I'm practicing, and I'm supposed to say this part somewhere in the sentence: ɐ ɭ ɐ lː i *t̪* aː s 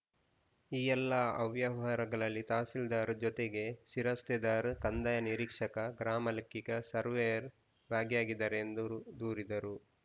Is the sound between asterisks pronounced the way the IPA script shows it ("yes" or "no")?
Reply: yes